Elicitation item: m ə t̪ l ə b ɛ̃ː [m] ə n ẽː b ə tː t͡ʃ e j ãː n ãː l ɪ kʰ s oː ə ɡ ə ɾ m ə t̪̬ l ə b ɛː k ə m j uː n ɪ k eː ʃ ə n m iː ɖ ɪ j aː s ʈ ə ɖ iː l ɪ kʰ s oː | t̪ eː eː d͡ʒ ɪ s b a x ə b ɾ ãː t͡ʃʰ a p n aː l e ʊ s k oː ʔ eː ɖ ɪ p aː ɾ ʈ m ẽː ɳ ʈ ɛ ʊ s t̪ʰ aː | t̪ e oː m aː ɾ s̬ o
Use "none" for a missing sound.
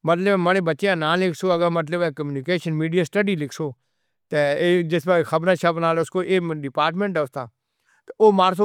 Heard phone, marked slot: m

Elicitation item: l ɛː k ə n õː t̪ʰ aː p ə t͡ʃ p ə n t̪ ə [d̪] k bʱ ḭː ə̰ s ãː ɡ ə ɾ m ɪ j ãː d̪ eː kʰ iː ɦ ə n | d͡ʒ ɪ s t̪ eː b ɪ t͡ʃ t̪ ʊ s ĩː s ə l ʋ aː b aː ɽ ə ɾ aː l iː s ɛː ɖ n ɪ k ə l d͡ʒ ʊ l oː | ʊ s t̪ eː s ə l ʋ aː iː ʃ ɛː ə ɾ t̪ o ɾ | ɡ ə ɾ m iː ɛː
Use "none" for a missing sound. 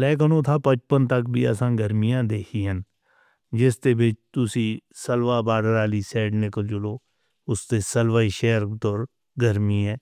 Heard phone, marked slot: none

